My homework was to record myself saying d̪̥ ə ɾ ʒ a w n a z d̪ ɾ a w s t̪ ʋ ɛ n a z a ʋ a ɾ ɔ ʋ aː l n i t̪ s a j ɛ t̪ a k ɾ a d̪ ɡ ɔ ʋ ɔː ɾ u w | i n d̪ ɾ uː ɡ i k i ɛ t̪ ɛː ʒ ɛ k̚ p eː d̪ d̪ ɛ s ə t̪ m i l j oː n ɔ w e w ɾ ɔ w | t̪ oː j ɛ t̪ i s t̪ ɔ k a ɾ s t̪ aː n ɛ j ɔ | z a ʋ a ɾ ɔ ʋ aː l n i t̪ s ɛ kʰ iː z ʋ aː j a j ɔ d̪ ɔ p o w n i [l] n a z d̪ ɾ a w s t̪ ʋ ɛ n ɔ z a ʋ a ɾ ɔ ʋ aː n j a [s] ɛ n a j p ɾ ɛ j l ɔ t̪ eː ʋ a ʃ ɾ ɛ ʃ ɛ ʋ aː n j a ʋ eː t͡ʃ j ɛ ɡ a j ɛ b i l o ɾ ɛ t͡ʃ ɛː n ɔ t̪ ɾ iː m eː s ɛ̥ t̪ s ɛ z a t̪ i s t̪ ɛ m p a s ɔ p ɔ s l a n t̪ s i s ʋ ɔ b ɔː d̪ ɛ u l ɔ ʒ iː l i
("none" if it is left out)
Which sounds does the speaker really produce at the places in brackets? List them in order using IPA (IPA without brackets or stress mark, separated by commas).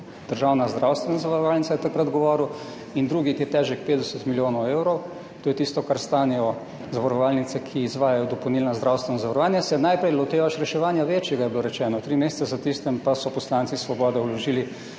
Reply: l, s